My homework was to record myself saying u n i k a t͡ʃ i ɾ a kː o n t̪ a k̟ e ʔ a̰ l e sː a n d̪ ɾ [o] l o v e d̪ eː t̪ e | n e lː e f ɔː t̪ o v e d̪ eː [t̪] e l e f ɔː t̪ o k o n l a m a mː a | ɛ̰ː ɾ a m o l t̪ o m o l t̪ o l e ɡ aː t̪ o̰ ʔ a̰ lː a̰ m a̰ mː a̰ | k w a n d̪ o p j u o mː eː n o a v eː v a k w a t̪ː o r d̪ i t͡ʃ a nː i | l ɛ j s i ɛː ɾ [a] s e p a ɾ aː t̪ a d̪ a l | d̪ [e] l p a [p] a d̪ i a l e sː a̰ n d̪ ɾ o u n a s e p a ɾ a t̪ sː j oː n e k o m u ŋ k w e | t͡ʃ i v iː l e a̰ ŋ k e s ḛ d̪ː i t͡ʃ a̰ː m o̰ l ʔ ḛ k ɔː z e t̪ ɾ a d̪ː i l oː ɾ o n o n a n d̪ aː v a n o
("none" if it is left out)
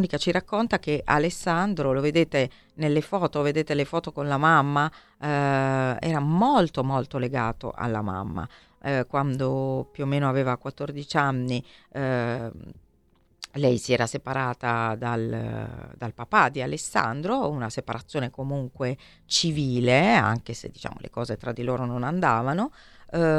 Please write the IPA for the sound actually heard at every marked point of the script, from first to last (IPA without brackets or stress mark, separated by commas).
o, t̪, a, a, p